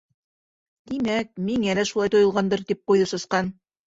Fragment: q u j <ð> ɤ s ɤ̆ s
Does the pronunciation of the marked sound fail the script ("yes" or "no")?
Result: no